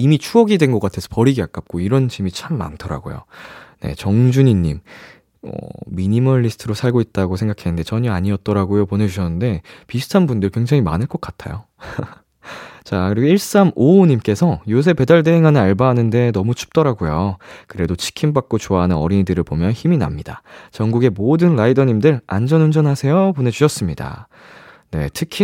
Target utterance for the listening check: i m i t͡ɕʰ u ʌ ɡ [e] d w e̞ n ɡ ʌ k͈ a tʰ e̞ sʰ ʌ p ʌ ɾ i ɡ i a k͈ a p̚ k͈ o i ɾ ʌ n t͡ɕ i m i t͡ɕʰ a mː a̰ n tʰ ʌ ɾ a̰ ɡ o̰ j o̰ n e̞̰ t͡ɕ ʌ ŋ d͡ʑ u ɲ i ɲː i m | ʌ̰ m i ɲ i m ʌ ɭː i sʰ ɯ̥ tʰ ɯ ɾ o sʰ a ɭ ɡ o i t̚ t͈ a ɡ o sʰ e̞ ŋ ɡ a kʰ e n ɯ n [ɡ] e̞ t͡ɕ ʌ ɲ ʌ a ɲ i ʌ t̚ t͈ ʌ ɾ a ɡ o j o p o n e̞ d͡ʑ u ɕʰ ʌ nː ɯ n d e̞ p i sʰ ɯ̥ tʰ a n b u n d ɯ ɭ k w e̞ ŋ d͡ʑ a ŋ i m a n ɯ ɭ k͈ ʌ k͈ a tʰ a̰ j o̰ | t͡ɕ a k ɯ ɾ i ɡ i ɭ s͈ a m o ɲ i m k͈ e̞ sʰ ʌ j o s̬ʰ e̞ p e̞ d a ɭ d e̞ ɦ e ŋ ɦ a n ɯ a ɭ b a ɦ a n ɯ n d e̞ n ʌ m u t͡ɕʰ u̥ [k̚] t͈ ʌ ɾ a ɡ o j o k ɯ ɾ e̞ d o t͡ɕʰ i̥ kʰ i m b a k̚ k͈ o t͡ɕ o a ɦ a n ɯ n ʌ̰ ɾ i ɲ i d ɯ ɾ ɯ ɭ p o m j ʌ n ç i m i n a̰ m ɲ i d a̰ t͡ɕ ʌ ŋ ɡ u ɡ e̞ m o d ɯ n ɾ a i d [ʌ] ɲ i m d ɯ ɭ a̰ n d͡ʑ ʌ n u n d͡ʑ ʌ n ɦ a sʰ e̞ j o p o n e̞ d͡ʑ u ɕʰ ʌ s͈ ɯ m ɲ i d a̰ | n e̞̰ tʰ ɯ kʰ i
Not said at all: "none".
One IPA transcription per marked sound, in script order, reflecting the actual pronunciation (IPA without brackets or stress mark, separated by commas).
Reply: i, d, p̚, ʌ